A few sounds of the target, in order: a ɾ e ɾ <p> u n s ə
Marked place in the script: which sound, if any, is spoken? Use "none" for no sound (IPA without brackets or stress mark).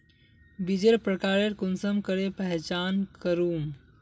k